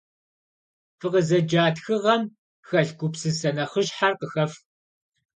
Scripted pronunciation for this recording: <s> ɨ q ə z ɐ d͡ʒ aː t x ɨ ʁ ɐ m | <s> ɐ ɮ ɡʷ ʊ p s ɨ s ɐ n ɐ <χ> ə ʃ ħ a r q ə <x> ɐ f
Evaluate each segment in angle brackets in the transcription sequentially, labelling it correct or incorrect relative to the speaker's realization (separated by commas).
incorrect, incorrect, correct, correct